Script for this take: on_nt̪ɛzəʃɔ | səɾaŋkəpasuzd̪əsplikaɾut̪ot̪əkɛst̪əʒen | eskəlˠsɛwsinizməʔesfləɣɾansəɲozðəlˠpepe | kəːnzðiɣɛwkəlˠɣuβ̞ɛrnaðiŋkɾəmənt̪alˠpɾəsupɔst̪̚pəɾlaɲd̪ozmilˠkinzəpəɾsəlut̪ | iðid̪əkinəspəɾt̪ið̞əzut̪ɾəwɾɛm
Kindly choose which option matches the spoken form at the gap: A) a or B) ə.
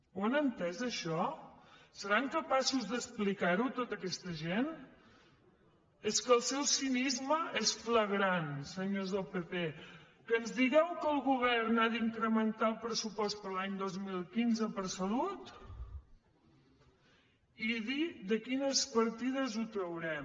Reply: B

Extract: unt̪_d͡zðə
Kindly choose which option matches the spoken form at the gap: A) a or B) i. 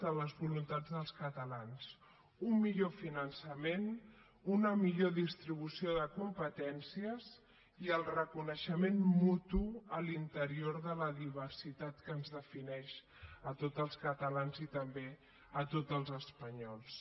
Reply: A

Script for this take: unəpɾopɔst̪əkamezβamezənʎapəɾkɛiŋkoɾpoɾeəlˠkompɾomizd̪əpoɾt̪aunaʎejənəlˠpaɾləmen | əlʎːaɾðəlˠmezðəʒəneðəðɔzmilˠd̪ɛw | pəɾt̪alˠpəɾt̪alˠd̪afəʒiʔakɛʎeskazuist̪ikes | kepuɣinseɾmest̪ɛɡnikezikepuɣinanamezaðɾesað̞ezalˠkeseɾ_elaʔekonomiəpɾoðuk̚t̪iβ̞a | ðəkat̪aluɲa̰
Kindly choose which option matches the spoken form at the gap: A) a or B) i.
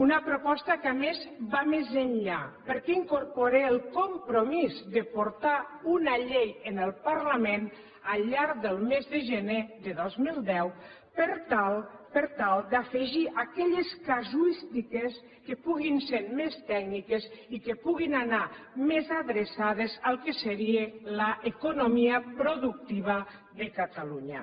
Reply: B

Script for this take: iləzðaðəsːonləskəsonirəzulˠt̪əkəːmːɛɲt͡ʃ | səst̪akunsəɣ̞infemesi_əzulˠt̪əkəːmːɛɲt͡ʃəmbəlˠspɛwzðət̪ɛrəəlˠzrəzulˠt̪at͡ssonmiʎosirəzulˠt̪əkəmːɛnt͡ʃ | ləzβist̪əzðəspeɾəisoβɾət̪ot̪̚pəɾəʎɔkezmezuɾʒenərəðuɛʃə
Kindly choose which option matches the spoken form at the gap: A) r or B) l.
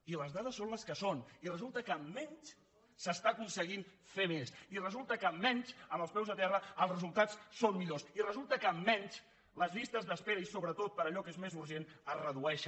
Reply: A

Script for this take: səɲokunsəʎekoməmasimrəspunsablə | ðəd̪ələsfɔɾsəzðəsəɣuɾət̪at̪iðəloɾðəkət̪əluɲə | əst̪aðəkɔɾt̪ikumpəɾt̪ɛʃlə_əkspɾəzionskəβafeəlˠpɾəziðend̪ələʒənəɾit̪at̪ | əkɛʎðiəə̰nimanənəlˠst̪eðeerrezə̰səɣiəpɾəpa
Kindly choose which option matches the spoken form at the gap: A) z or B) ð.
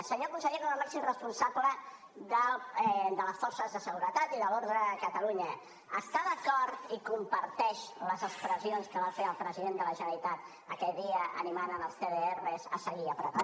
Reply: A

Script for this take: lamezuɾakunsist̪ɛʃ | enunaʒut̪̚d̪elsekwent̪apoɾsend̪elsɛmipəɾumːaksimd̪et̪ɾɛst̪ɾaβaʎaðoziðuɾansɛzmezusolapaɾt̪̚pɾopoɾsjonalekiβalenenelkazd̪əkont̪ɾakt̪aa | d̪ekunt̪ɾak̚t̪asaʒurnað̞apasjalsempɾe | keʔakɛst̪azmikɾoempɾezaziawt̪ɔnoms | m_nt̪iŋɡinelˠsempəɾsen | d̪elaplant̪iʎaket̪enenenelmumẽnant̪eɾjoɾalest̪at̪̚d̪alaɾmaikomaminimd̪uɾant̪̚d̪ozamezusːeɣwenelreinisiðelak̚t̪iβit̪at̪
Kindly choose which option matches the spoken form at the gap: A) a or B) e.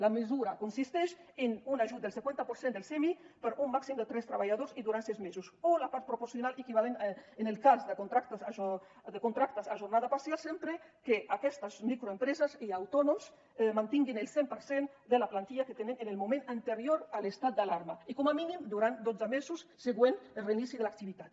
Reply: A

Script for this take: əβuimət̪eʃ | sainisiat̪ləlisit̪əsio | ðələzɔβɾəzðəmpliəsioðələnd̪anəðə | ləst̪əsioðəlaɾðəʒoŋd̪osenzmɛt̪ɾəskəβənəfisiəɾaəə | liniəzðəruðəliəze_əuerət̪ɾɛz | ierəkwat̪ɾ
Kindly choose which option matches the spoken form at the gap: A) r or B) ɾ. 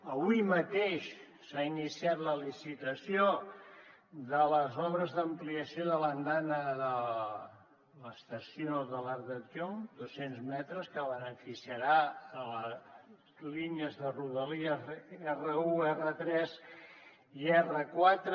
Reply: A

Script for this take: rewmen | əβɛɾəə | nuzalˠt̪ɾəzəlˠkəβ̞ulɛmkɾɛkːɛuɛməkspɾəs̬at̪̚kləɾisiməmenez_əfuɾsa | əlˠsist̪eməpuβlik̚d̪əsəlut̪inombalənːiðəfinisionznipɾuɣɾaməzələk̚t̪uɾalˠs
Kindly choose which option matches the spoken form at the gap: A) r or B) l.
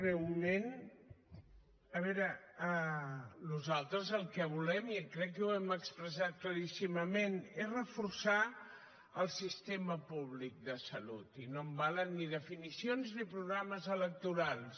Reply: A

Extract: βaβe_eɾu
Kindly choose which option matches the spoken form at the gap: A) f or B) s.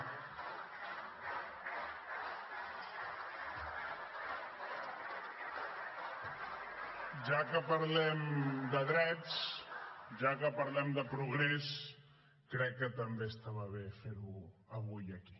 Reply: A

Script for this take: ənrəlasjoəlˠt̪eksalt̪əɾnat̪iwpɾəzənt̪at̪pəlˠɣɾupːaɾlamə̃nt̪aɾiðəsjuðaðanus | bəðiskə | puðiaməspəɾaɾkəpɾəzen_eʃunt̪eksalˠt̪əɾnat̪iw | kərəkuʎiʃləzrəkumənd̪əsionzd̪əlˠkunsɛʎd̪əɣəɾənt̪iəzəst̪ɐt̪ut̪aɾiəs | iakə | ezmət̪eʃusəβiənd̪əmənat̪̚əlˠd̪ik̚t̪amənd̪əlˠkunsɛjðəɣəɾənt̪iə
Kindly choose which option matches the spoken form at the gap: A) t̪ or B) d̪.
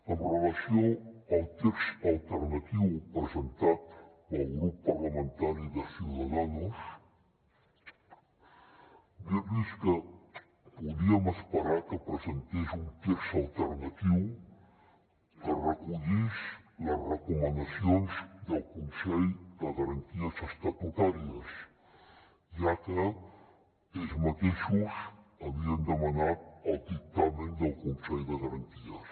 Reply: A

